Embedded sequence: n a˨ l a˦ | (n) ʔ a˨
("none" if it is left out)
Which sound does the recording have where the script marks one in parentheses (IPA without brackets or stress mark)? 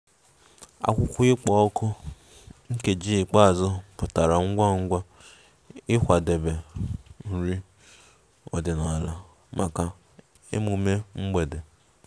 m